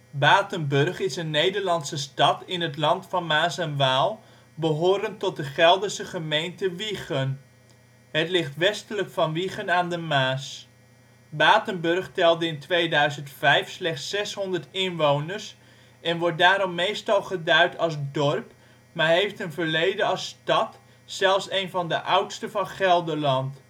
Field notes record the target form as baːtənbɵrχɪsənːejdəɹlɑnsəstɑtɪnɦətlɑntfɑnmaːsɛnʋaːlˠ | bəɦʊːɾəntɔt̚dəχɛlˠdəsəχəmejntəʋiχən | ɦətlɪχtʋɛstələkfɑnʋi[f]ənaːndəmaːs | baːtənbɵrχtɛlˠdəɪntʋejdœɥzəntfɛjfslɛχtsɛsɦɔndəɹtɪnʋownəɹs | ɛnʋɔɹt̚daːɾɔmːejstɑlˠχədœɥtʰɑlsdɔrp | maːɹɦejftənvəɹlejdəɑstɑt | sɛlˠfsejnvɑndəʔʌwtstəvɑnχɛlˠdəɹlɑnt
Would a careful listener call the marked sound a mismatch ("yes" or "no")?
yes